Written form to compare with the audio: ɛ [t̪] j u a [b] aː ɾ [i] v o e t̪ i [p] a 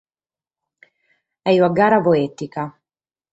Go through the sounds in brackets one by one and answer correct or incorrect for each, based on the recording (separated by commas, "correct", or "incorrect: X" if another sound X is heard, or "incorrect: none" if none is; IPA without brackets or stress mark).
incorrect: none, incorrect: ɡ, incorrect: a, incorrect: k